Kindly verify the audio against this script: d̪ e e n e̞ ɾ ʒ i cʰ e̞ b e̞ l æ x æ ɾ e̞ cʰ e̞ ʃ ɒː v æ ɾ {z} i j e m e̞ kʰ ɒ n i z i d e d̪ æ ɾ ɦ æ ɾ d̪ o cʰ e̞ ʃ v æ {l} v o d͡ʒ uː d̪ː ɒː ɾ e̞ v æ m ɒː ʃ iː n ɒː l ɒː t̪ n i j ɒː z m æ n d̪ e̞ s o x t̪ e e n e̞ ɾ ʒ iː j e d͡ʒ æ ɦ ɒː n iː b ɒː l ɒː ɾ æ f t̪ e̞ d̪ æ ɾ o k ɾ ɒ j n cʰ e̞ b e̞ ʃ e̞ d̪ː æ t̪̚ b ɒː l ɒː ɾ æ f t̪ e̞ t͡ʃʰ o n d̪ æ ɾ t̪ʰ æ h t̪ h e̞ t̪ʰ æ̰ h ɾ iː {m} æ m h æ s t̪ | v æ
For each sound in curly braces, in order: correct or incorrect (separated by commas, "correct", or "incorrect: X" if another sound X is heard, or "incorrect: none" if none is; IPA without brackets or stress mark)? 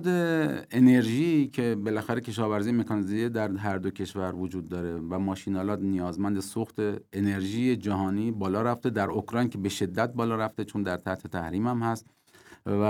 correct, incorrect: ɾ, correct